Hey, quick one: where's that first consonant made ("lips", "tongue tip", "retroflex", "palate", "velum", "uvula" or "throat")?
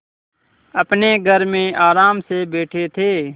lips